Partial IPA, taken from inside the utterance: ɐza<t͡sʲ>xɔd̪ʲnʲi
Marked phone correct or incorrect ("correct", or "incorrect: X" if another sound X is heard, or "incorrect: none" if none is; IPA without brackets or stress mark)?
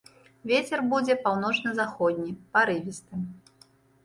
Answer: incorrect: none